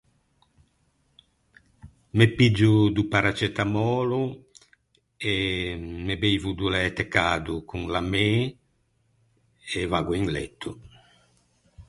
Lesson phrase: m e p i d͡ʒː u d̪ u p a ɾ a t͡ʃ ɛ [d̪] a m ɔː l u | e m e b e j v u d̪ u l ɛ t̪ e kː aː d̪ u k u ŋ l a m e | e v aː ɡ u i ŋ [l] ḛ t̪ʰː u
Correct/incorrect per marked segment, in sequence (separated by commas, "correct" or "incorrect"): incorrect, correct